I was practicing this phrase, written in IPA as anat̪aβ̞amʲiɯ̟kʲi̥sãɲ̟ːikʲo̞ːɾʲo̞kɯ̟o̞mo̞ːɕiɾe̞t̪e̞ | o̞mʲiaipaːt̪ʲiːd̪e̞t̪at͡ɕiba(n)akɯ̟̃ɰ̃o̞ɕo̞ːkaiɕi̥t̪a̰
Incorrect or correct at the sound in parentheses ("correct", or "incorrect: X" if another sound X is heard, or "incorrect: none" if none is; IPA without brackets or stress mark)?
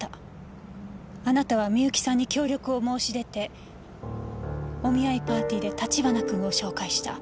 correct